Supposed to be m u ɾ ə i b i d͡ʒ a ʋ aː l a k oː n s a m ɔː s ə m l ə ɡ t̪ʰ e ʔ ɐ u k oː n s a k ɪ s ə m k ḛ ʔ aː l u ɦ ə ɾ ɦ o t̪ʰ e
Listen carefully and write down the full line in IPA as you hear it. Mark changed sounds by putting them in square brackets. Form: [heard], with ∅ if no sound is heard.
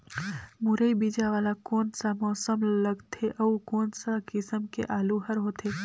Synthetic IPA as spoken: m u ɾ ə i b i d͡ʒ a ʋ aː l a k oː n s a m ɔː s ə m l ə ɡ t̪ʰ e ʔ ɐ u k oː n s a k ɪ s ə m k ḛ ʔ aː l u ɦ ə ɾ ɦ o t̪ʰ e

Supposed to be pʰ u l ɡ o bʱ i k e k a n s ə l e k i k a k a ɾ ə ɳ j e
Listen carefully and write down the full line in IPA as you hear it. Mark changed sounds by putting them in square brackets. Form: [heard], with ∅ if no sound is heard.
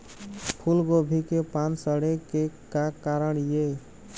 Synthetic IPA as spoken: pʰ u l ɡ o bʱ i k e [p] a n s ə [ɽ] e k [e] k a k a ɾ ə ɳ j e

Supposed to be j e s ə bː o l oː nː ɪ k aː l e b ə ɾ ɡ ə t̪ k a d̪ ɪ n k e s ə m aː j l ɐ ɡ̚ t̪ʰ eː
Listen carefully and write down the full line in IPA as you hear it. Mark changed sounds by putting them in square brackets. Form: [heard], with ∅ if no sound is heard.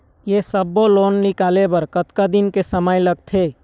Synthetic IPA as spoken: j e s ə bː o l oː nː ɪ k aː l e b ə ɾ [k] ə t̪ k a d̪ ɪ n k e s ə m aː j l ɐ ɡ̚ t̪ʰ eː

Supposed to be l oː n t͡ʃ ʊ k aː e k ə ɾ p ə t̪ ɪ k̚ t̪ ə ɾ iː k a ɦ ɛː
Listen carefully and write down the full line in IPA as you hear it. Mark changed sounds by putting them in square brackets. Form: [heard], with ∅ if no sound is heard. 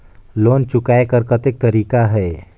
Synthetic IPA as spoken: l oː n t͡ʃ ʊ k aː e k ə ɾ [k] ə t̪ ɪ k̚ t̪ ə ɾ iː k a ɦ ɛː

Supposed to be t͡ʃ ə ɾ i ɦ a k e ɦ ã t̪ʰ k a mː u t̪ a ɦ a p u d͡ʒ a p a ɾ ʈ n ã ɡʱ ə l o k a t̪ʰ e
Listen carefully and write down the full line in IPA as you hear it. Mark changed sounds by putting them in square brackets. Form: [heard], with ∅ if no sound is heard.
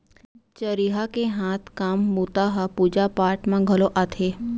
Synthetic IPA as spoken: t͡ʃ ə ɾ i ɦ a k e ɦ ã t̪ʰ k a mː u t̪ a ɦ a p u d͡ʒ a p a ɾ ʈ [m] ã ɡʱ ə l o [ʔ] a t̪ʰ e

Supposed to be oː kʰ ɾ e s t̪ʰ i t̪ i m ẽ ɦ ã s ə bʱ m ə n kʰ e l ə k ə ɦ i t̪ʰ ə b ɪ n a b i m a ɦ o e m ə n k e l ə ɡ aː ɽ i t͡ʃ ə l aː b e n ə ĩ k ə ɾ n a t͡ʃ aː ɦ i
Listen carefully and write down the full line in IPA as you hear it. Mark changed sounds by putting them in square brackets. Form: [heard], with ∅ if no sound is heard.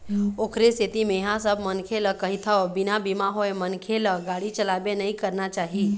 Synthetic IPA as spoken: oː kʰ ɾ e s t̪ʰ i t̪ i m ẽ ɦ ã s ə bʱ m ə n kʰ e l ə k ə ɦ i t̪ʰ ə b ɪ n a b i m a ɦ o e m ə n [kʰ] e l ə ɡ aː ɽ i t͡ʃ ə l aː b e n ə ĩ k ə ɾ n a t͡ʃ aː ɦ i

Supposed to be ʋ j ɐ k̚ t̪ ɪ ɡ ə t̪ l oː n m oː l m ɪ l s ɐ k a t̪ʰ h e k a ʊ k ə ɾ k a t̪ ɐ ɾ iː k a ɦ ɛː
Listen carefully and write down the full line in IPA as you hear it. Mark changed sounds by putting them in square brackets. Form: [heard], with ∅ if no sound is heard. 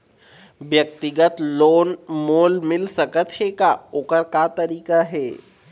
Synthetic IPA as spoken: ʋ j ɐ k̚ t̪ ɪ ɡ ə t̪ l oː n m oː l m ɪ l s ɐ k [ə] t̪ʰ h e k a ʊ k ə ɾ k a t̪ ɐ ɾ iː k a ɦ ɛː

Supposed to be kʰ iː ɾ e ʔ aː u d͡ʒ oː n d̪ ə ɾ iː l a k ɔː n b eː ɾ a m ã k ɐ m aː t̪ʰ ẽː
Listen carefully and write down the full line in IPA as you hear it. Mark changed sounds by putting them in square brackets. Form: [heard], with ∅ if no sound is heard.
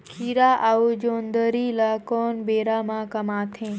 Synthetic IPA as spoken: kʰ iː ɾ [a] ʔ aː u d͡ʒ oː n d̪ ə ɾ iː l a k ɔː n b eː ɾ a m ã k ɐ m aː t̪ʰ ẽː

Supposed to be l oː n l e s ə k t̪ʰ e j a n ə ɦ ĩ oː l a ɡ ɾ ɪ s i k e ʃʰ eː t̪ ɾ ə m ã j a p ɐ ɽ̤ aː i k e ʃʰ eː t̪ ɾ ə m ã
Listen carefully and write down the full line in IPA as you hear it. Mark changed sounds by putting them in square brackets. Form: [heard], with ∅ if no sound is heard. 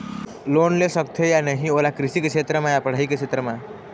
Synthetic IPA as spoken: l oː n l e s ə k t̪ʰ e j a n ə ɦ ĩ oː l a [k] ɾ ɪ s i k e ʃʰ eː t̪ ɾ ə m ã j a p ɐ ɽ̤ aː i k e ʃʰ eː t̪ ɾ ə m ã

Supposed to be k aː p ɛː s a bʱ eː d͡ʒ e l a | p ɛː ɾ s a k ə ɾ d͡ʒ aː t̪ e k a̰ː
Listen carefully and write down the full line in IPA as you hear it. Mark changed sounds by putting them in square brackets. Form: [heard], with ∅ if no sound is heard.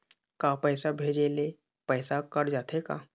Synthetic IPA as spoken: k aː p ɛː s a bʱ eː d͡ʒ e l [e] | p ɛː [∅] s a k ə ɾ d͡ʒ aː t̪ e k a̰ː

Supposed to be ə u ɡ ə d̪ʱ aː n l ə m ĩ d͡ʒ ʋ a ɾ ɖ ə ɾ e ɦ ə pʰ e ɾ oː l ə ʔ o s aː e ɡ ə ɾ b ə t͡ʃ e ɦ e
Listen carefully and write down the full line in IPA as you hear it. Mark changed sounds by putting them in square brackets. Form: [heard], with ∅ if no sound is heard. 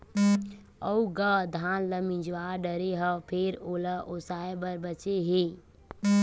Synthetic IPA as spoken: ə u ɡ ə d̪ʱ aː n l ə m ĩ d͡ʒ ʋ a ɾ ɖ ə ɾ e ɦ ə pʰ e ɾ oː l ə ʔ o s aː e [b] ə ɾ b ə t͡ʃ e ɦ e

